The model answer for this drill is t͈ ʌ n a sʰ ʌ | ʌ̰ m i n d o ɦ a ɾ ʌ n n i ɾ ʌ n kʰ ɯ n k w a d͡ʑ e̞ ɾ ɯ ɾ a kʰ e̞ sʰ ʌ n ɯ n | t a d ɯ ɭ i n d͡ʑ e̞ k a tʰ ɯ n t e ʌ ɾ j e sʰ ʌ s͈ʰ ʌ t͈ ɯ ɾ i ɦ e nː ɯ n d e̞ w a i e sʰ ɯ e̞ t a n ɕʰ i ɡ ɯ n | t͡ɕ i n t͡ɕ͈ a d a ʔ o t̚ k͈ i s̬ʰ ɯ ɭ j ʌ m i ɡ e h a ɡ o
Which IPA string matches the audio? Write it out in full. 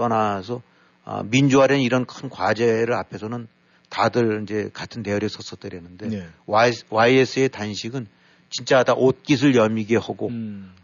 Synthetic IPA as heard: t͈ ʌ n a sʰ ʌ | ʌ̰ m i n d͡ʑ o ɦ a ɾ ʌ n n i ɾ ʌ n kʰ ɯ n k w a d͡ʑ e̞ ɾ ɯ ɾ a pʰ e̞ sʰ ʌ n ɯ n | t a d ɯ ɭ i n d͡ʑ e̞ k a tʰ ɯ n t e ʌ ɾ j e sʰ ʌ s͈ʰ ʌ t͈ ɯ ɾ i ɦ e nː ɯ n d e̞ w a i e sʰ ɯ e̞ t a n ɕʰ i ɡ ɯ n | t͡ɕ i n t͡ɕ͈ a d a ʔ o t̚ k͈ i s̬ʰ ɯ ɭ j ʌ m i ɡ e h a ɡ o